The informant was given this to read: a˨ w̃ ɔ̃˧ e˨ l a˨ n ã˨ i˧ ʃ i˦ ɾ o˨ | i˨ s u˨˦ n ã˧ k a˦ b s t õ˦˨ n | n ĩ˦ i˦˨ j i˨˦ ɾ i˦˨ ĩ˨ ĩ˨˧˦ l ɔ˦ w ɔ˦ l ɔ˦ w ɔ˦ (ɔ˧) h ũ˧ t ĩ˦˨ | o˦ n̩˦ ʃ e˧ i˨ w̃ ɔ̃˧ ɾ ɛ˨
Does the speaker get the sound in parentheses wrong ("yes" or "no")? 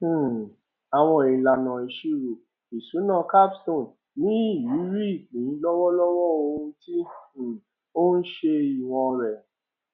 yes